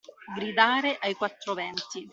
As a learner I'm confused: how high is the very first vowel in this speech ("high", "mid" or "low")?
high